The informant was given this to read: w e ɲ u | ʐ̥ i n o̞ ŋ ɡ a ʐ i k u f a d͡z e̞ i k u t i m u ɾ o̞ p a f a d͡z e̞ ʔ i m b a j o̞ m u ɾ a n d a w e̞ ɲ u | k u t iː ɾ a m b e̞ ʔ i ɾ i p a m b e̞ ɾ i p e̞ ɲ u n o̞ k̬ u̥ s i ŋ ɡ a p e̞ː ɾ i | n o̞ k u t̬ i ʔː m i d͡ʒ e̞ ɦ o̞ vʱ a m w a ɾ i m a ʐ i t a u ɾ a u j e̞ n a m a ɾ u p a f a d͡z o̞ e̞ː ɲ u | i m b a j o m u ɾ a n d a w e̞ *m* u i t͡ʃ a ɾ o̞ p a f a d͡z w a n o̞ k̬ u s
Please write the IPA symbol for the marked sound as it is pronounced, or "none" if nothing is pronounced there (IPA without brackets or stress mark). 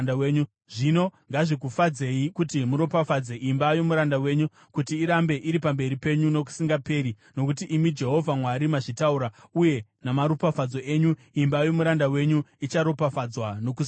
ɲ